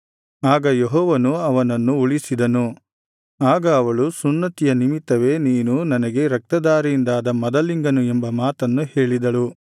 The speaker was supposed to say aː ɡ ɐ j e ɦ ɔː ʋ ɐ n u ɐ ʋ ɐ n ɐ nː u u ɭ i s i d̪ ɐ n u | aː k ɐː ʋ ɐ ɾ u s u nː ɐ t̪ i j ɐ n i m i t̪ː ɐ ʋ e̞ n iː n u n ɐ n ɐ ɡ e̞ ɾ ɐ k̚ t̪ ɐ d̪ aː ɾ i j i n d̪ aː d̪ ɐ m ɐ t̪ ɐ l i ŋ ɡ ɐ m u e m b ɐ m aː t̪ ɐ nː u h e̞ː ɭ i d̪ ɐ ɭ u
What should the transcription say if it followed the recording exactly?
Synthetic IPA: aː ɡ ɐ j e ɦ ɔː ʋ ɐ n u ɐ ʋ ɐ n ɐ nː u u ɭ i s i d̪ ɐ n u | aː ɡ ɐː ʋ ɐ ɭ u s u nː ɐ t̪ i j ɐ n i m i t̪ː ɐ ʋ e̞ n iː n u n ɐ n ɐ ɡ e̞ ɾ ɐ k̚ t̪ ɐ d̪ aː ɾ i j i n d̪ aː d̪ ɐ m ɐ d̪ ɐ l i ŋ ɡ ɐ n u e m b ɐ m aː t̪ ɐ nː u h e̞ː ɭ i d̪ ɐ ɭ u

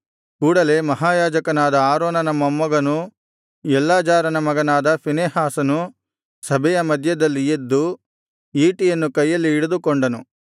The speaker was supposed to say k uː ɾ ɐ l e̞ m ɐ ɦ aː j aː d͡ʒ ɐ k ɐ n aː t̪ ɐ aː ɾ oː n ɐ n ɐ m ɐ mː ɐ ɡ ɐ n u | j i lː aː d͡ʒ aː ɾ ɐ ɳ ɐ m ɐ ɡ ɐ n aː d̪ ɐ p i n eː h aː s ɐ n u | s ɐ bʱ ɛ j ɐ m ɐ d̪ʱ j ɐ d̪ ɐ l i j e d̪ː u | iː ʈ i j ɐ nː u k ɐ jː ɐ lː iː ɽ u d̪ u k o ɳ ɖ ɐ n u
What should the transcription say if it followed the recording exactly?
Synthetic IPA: k uː ɽ ɐ l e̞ m ɐ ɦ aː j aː d͡ʒ ɐ k ɐ n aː d̪ ɐ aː ɾ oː n ɐ n ɐ m ɐ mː ɐ ɡ ɐ n u | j ɛ lː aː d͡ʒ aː ɾ ɐ n ɐ m ɐ ɡ ɐ n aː d̪ ɐ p i n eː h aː s ɐ n u | s ɐ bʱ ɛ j ɐ m ɐ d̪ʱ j ɐ d̪ ɐ lː i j e d̪ː u | iː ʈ i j ɐ nː u k ɐ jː ɐ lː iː ɽ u d̪ u k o ɳ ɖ ɐ n u

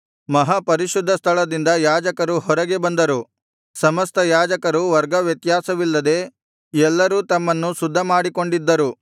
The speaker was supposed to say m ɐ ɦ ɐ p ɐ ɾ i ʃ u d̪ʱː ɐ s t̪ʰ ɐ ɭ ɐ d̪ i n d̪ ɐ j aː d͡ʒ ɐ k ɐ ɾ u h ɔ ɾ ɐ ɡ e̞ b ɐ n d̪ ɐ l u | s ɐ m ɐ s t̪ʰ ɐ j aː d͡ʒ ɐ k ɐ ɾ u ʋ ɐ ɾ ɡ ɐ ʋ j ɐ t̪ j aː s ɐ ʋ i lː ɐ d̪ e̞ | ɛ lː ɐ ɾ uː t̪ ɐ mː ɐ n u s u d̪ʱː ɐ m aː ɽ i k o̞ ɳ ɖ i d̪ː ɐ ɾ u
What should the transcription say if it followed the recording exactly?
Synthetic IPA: m ɐ ɦ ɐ p ɐ ɾ i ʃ u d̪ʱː ɐ s t̪ʰ ɐ ɭ ɐ d̪ i n d̪ ɐ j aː d͡ʒ ɐ k ɐ ɾ u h ɔ ɾ ɐ ɡ e̞ b ɐ n d̪ ɐ ɾ u | s ɐ m ɐ s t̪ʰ ɐ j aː d͡ʒ ɐ k ɐ ɾ u ʋ ɐ ɾ ɡ ɐ ʋ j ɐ t̪ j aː s ɐ ʋ i lː ɐ d̪ e̞ | ɛ lː ɐ ɾ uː t̪ ɐ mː ɐ nː u s u d̪ʱː ɐ m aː ɽ i k o̞ ɳ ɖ i d̪ː ɐ ɾ u

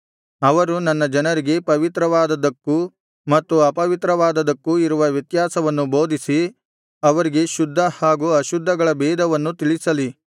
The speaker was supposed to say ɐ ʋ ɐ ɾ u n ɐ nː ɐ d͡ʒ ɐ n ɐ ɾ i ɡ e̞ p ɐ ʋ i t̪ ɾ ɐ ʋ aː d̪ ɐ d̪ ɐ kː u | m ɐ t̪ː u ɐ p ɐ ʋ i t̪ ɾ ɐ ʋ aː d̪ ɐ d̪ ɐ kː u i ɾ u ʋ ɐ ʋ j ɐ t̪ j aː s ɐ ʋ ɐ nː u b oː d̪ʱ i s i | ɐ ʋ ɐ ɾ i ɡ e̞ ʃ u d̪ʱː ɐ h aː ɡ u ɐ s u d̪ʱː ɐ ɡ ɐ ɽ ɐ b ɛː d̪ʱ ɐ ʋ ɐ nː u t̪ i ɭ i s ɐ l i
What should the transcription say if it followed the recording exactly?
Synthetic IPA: ɐ ʋ ɐ ɾ u n ɐ nː ɐ d͡ʒ ɐ n ɐ ɾ i ɡ e̞ p ɐ ʋ i t̪ ɾ ɐ ʋ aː d̪ ɐ d̪ ɐ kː u | m ɐ t̪ː u ɐ p ɐ ʋ i t̪ ɾ ɐ ʋ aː d̪ ɐ d̪ ɐ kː u i ɾ u ʋ ɐ ʋ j ɐ t̪ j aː s ɐ ʋ ɐ nː u b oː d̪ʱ i s i | ɐ ʋ ɐ ɾ i ɡ e̞ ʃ u d̪ʱː ɐ h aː ɡ u ɐ ʃ u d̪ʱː ɐ ɡ ɐ ɭ ɐ b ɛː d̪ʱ ɐ ʋ ɐ nː u t̪ i ɭ i s ɐ l i

